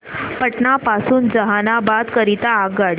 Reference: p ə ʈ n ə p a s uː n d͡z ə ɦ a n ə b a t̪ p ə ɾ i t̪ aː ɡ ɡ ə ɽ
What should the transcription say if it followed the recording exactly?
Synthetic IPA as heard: p ə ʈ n a p a s uː n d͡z ə ɦ a n a b a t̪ k ə ɾ i t̪ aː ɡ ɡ a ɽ

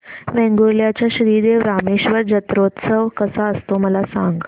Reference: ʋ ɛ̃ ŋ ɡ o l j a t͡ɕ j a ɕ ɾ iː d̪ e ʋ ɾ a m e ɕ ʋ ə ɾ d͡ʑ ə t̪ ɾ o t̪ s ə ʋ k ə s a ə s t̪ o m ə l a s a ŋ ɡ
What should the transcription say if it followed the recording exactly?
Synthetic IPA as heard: ʋ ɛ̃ ŋ ɡ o l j a t͡ɕ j a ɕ ɾ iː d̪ e ʋ ɾ a m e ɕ ʋ ə ɾ d͡ʑ ə t̪ ɾ o t̪ s ə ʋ k ə s a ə s t̪ o m ə l a s a ŋ ɡ

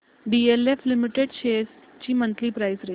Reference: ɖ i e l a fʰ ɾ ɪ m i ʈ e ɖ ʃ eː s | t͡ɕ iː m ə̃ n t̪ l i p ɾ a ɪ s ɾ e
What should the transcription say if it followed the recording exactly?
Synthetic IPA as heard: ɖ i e l e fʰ l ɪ m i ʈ e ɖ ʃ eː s | t͡ɕ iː m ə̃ n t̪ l i p ɾ a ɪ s ɾ e

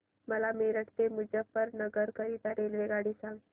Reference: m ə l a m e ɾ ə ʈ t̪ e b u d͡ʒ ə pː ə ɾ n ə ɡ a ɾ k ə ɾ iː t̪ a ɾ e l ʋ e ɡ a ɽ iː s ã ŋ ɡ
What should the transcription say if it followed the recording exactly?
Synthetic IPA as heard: m ə l a m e ɾ ə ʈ t̪ e m u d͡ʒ ə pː ə ɾ n ə ɡ ə ɾ k ə ɾ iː t̪ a ɾ e l ʋ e ɡ a ɽ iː s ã ŋ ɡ

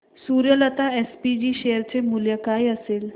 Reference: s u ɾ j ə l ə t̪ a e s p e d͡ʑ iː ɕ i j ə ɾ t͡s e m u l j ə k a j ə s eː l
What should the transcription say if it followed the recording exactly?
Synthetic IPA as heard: s u ɾ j ə l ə t̪ a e s p i d͡ʑ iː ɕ e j ə ɾ t͡s e m u l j ə k a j ə s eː l

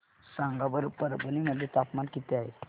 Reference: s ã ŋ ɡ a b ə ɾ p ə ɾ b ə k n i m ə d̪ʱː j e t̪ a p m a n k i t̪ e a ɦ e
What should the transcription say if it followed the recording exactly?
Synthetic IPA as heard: s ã ŋ ɡ a b ə ɾ p ə ɾ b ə n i m ə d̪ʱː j e t̪ a p m a n k i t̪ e a ɦ e

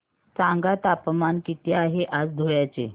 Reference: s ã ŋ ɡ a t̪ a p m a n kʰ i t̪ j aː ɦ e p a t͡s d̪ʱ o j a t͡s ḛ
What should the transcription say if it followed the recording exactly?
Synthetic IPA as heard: t͡s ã ŋ ɡ a t̪ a p m a n k i t̪ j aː ɦ e ʔ a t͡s d̪ʱ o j a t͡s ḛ

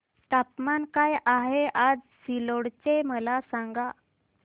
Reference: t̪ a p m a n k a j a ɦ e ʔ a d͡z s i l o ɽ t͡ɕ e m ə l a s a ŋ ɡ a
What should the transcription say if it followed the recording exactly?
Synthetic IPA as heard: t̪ a p m a n k a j a ɦ e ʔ a d͡z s i l o ɽ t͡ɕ e m ə l a s a ŋ ɡ a

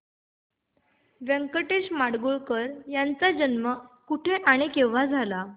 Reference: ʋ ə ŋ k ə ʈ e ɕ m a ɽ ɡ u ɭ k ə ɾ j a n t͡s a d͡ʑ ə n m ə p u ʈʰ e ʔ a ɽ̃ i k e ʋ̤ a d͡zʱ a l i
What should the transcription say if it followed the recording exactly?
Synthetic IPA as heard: ʋ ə ŋ k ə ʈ e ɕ m a ɽ ɡ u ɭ k ə ɾ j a n t͡s a d͡ʑ ə n m ə k u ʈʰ e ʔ a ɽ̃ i k e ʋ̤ a d͡zʱ a l a

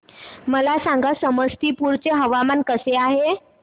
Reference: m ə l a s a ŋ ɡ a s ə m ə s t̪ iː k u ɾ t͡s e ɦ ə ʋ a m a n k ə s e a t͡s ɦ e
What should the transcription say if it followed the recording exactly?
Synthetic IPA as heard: m ə l a s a ŋ ɡ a s ə m ə s t̪ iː p u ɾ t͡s e ɦ ə ʋ a m a n k ə s e a ɦ e

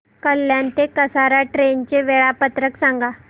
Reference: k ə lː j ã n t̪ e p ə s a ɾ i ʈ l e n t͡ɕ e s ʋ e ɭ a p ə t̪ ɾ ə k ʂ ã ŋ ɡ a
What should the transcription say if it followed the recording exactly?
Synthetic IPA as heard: k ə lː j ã n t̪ e k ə s a ɾ a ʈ ɾ e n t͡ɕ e ʋ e ɭ a p ə t̪ ɾ ə k s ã ŋ ɡ a

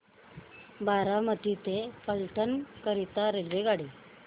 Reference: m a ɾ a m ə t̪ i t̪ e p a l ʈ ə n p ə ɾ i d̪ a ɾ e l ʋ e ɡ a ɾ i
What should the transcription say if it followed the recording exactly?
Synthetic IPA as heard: b a ɾ a m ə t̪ i t̪ e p ə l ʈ ə n k ə ɾ i t̪ a ɾ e l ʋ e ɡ a ɽ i

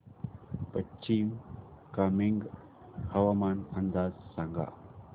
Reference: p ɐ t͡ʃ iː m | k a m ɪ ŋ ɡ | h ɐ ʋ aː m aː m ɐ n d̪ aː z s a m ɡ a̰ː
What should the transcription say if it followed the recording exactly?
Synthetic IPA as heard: p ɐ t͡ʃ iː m | k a m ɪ ŋ ɡ | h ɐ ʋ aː m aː n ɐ n d̪ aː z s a ŋ ɡ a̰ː

